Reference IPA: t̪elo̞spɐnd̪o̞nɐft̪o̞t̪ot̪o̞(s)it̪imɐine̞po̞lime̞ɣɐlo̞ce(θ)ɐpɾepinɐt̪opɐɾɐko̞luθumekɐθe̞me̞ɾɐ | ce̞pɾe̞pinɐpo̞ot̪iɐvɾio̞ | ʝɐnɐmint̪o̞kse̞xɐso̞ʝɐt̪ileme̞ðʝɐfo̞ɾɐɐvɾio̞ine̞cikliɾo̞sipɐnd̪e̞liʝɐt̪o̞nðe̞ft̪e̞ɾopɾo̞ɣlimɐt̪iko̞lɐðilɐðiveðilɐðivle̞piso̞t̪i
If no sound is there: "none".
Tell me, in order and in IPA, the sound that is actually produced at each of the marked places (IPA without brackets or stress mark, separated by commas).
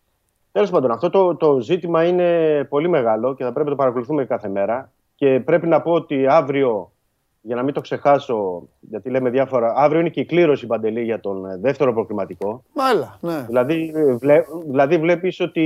z, θ